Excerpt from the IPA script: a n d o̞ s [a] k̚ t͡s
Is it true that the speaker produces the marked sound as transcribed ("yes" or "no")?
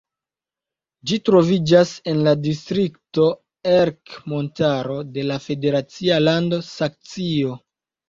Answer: yes